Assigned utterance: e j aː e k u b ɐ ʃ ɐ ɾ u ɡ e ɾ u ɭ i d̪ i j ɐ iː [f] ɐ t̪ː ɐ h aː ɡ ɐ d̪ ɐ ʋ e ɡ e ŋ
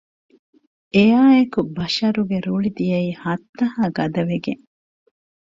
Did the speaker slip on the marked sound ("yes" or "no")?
yes